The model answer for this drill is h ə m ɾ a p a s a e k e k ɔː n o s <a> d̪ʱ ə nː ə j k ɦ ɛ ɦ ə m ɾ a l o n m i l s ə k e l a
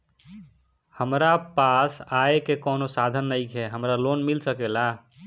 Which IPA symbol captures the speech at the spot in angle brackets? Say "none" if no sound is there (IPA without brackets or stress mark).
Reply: a